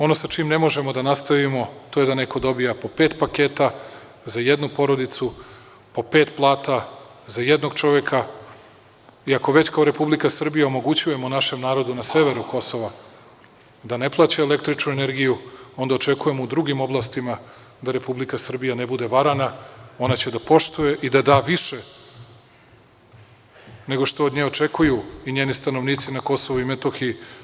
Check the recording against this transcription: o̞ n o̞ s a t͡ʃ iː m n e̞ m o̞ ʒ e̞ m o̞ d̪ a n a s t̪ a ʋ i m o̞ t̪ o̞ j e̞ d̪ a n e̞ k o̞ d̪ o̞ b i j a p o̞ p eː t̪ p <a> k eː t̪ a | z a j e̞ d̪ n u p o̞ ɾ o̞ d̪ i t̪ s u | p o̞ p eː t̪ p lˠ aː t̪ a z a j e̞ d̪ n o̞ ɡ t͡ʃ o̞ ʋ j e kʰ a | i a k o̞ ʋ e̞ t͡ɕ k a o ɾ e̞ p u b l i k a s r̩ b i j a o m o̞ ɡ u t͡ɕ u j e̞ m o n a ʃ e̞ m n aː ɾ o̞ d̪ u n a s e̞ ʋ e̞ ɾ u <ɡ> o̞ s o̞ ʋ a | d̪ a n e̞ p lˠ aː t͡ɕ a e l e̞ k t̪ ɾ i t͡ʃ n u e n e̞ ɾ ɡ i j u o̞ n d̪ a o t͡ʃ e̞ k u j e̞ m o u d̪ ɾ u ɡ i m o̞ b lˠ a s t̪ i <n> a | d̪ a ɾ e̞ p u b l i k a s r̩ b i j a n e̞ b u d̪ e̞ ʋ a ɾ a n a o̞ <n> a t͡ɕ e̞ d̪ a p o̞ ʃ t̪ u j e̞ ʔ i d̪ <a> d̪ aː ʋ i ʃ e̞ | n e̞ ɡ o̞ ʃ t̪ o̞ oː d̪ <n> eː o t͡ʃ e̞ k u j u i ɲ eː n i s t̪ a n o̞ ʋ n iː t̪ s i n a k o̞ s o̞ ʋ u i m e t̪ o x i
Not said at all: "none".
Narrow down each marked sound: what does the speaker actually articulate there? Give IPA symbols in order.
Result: a, k, m, n, a, ɲ

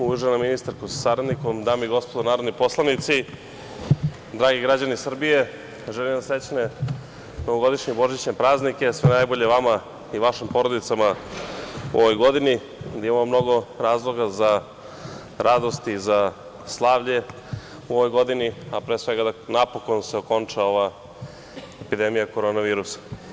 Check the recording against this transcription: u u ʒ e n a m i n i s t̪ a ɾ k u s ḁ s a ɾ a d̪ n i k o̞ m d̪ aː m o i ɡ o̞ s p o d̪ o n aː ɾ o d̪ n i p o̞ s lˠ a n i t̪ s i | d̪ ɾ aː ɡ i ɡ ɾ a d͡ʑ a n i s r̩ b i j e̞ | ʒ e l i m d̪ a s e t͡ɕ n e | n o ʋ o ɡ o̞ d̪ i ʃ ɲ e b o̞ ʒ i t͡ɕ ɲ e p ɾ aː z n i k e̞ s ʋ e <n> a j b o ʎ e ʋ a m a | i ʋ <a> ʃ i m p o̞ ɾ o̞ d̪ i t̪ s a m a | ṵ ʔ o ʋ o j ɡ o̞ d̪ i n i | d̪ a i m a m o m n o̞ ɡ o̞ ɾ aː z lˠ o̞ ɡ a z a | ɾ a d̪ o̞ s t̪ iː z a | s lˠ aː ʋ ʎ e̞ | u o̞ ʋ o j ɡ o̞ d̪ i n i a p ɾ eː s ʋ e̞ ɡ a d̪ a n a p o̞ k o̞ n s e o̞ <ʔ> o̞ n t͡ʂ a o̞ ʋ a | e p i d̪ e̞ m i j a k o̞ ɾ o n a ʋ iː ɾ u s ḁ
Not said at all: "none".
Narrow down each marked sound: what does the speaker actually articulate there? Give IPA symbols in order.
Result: n, a, k

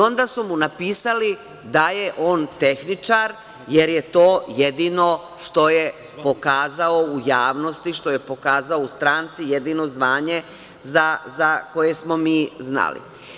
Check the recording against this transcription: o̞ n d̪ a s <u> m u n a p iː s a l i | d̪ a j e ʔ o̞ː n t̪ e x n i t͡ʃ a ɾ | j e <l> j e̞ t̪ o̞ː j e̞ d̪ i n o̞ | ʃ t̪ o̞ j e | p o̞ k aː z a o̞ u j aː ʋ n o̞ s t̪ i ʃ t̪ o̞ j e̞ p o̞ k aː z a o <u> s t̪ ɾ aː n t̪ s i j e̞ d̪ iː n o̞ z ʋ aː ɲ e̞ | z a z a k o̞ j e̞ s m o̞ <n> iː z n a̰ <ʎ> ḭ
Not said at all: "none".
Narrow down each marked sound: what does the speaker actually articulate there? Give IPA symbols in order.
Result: u, ɾ, u, m, l

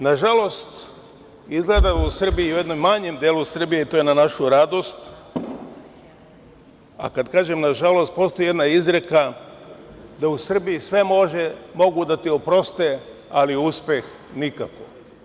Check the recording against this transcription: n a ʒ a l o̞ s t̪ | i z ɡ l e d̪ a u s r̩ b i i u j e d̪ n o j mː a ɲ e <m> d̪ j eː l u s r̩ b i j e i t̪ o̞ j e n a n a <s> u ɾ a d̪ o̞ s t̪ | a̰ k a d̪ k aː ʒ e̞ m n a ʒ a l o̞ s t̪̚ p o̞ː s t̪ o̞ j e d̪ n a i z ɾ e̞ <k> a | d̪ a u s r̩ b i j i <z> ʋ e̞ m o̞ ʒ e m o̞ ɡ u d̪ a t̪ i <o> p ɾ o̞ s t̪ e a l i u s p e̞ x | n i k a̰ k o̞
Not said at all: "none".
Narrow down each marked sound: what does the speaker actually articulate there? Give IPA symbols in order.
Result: m, ʃ, k, s, o

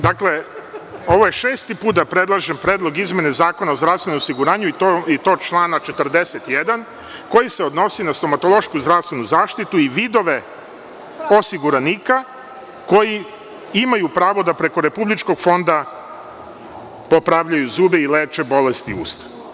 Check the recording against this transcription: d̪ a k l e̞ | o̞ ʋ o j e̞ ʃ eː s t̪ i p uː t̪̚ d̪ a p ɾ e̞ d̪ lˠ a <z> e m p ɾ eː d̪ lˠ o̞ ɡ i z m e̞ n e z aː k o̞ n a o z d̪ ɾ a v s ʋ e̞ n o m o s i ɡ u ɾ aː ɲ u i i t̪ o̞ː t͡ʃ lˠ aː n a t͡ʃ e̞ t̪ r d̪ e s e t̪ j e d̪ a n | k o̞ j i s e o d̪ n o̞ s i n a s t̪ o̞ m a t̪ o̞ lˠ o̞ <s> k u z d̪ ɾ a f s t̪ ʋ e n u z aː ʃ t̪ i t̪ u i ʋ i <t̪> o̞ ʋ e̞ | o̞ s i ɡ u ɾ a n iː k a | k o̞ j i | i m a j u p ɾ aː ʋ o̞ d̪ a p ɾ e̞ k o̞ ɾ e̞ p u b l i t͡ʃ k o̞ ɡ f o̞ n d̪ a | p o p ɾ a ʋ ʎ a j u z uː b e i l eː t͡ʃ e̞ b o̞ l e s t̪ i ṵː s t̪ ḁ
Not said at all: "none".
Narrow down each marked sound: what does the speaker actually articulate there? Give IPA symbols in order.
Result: ʒ, ʃ, d̪

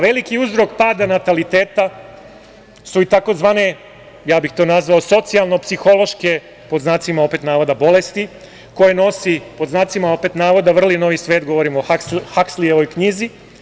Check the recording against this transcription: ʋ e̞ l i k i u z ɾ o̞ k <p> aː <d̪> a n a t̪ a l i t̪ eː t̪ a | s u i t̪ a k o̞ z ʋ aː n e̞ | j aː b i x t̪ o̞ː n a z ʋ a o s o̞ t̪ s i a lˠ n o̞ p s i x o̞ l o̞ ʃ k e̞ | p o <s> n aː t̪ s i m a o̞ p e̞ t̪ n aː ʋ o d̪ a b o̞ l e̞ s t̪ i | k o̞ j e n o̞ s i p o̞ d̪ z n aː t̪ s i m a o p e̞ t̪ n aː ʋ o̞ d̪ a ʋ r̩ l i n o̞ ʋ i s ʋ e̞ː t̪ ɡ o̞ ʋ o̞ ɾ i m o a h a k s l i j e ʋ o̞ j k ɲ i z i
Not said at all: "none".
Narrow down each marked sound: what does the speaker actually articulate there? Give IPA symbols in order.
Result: p, d̪, z

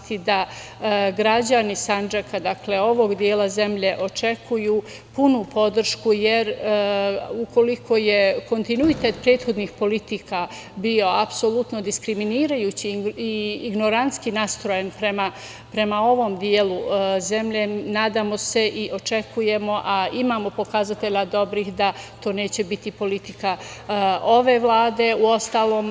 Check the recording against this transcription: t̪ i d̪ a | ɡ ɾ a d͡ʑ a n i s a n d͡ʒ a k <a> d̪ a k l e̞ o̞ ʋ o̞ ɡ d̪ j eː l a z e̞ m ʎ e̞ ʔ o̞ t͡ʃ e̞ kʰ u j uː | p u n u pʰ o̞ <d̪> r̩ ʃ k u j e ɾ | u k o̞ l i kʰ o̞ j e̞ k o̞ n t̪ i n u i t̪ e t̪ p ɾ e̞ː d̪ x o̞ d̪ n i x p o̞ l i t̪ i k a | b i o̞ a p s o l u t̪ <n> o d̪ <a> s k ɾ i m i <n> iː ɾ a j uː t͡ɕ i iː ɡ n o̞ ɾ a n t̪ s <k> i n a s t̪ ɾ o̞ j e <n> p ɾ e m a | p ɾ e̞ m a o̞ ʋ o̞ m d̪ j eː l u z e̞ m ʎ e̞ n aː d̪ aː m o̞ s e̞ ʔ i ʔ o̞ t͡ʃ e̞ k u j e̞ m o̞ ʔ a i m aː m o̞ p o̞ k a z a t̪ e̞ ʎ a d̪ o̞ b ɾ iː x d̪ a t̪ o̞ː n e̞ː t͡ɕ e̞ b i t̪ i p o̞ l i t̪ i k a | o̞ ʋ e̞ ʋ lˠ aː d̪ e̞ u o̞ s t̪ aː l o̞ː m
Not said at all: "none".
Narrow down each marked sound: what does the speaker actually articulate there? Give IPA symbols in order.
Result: a, d̪, n, i, n, k, n

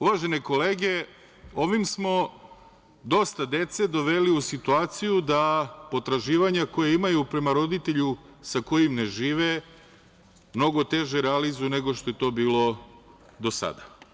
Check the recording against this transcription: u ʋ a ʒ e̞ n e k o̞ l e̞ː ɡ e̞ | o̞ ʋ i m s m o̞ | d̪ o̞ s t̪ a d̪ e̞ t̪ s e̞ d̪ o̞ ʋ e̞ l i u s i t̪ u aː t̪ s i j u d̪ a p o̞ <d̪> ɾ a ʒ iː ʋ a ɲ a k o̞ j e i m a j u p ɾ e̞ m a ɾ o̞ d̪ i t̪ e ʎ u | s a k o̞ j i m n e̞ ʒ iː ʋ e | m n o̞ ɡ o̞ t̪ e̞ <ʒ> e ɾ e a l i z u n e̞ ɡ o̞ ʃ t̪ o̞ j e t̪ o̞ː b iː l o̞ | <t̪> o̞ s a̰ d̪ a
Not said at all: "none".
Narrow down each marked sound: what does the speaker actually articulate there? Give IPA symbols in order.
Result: t̪, ʒ, d̪

